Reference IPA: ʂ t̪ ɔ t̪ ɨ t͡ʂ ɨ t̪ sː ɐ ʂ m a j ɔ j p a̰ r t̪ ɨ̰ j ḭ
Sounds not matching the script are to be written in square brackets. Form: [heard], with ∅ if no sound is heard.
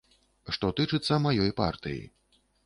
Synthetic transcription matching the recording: ʂ t̪ ɔ t̪ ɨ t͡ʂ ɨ t̪ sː ɐ [∅] m a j ɔ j p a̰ r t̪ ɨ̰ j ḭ